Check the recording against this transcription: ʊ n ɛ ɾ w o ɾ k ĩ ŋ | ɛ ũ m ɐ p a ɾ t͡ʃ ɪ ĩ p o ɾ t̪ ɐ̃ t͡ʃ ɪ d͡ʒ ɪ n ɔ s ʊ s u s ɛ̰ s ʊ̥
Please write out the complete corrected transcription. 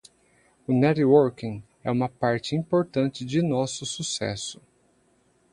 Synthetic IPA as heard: ʊ n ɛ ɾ w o ɾ k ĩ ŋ | ɛ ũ m ɐ p a ɾ t͡ʃ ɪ ĩ p o ɾ t̪ ɐ̃ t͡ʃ ɪ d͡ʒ ɪ n ɔ s ʊ s u s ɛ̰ s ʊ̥